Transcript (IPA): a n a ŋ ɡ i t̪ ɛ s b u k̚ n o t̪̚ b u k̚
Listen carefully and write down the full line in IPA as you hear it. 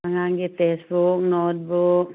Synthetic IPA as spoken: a ŋ a ŋ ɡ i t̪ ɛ s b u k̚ n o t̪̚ b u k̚